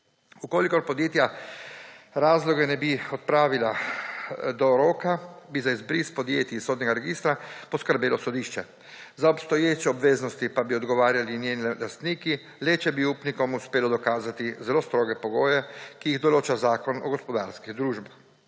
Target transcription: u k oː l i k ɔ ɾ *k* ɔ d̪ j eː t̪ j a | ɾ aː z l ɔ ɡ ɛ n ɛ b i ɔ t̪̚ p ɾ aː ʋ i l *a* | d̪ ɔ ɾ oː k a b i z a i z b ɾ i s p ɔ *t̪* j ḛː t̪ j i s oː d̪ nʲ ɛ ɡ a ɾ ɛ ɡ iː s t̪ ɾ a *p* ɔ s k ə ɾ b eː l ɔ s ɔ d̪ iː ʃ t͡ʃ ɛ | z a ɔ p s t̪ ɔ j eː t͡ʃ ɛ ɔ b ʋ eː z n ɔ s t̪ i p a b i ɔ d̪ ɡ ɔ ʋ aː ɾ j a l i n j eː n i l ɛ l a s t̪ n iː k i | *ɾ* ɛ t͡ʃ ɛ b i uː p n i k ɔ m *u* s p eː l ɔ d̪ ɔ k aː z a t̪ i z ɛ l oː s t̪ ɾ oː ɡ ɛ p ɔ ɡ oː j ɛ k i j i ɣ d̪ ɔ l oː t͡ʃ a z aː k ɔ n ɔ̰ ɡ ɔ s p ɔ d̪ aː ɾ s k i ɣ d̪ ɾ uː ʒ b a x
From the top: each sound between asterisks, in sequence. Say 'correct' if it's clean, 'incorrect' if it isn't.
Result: incorrect: p, correct, incorrect: d̪, correct, incorrect: l, correct

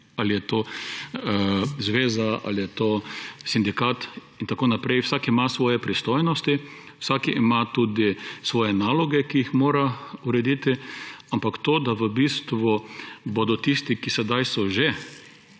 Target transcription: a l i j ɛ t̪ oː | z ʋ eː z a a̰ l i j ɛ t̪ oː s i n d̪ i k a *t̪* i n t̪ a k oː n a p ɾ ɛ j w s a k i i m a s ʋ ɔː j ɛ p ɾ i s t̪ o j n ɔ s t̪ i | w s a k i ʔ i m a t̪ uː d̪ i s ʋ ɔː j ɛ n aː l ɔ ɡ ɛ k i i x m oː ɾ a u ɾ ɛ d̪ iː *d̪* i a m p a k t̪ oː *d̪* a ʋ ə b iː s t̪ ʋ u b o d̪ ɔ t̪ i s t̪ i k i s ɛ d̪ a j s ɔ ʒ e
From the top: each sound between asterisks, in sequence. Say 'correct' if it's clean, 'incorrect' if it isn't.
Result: correct, incorrect: t̪, correct

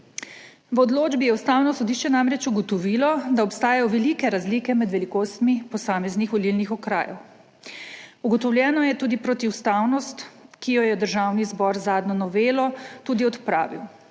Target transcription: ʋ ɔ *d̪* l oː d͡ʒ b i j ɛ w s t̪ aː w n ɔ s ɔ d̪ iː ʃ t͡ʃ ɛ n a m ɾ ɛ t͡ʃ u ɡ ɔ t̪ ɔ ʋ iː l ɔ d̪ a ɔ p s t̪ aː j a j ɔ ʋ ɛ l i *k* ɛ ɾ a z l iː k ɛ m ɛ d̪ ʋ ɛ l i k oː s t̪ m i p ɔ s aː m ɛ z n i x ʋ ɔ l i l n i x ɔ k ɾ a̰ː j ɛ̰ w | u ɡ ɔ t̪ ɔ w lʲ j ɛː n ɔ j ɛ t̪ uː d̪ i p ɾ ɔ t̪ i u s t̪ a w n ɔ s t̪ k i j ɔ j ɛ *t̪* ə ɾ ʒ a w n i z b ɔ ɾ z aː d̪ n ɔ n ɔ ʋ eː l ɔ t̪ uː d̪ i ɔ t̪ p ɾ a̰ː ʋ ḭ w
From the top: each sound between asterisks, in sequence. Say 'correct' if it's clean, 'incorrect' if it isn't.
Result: correct, correct, incorrect: d̪

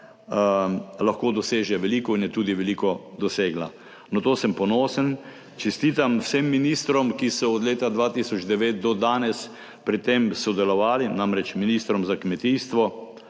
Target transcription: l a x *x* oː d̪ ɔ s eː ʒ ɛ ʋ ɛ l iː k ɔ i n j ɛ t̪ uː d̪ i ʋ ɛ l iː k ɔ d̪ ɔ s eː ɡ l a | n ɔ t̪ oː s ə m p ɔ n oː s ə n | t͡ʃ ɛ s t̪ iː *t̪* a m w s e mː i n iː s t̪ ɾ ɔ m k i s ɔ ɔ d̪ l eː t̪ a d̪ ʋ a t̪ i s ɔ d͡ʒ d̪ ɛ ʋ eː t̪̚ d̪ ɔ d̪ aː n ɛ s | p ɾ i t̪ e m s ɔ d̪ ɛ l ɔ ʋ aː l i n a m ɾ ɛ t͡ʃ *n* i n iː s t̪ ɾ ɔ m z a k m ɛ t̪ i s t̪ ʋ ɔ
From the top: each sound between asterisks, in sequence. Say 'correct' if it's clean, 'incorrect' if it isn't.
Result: incorrect: k, correct, incorrect: m

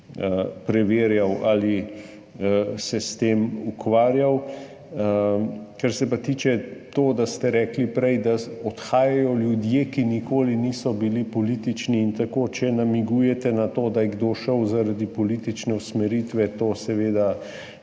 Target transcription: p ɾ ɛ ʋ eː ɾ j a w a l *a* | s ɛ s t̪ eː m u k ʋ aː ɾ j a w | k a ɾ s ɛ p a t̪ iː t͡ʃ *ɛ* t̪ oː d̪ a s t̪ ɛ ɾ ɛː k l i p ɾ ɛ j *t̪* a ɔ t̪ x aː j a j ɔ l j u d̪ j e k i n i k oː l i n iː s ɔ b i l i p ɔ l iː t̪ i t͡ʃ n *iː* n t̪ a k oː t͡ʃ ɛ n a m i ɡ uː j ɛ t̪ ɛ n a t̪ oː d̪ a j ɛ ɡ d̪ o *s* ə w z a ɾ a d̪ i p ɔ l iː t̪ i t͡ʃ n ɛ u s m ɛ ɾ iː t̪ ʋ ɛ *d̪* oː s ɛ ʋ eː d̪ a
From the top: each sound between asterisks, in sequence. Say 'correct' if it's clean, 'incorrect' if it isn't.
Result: incorrect: i, correct, incorrect: d̪, correct, incorrect: ʃ, incorrect: t̪

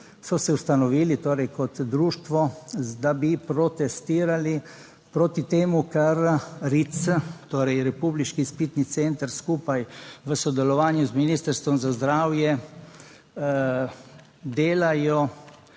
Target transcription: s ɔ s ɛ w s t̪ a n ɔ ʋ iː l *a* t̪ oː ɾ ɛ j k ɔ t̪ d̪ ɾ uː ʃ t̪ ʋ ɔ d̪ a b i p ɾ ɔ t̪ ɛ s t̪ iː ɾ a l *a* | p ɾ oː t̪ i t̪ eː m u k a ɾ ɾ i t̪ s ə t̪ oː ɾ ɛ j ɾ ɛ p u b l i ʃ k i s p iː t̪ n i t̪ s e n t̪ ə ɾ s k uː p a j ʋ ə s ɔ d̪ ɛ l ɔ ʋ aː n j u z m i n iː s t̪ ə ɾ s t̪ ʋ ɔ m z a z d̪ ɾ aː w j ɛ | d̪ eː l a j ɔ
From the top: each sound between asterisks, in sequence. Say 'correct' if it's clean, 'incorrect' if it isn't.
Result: incorrect: i, incorrect: i

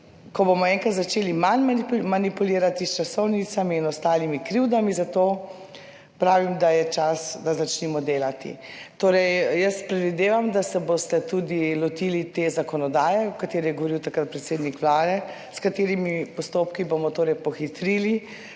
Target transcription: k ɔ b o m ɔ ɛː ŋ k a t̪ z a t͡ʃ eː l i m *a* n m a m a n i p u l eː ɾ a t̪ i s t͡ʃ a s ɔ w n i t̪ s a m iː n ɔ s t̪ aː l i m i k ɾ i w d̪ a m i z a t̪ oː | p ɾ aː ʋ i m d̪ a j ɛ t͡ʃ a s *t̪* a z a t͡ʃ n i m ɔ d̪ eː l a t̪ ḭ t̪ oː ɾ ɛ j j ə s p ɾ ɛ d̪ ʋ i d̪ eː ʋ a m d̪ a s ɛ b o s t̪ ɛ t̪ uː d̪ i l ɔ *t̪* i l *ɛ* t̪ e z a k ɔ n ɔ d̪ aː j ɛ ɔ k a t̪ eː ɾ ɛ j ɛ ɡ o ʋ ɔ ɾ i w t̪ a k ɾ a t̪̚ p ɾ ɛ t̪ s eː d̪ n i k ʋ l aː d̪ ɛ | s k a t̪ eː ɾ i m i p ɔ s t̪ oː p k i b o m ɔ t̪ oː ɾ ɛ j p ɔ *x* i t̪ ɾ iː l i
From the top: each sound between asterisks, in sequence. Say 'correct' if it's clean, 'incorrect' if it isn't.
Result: correct, incorrect: d̪, correct, incorrect: i, correct

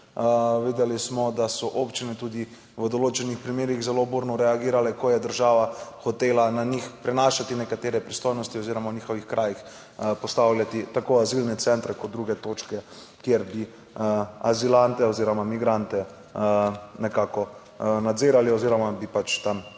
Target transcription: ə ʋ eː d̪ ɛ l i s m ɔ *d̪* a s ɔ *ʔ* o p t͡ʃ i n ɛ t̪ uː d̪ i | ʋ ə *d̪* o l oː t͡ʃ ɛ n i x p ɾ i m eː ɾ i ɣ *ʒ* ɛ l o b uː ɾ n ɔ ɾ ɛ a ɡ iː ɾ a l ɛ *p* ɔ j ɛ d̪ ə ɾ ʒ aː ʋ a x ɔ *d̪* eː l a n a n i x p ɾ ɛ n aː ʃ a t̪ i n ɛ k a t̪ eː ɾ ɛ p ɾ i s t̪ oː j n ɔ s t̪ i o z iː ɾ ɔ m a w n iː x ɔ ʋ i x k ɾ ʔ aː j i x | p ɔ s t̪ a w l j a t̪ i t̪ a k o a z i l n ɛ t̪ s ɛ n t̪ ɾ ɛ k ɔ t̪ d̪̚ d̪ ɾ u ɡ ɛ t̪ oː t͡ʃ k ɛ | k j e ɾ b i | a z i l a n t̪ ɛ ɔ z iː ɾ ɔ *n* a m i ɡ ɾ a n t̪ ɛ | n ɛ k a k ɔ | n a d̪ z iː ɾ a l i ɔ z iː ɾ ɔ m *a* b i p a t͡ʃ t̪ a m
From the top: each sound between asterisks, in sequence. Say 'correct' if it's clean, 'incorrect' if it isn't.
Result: correct, correct, correct, incorrect: z, incorrect: k, incorrect: t̪, incorrect: m, correct

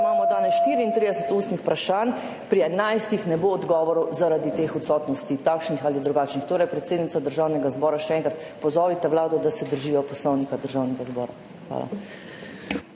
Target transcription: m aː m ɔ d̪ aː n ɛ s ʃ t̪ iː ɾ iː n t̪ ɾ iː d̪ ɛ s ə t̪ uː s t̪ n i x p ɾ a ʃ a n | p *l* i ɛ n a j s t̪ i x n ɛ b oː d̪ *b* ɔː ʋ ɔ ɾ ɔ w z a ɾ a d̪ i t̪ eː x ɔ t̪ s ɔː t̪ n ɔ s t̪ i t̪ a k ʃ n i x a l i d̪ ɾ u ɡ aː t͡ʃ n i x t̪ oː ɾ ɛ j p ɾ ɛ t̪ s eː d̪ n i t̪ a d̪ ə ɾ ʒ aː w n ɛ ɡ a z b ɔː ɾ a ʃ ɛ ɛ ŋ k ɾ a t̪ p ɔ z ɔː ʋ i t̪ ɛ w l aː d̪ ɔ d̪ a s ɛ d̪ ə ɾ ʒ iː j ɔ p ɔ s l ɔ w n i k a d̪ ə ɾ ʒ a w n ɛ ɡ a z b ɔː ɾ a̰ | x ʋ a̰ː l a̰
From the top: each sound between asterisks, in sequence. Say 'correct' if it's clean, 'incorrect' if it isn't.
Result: incorrect: ɾ, incorrect: ɡ

